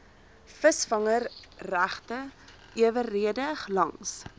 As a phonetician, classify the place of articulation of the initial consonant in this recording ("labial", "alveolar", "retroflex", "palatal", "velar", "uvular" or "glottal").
labial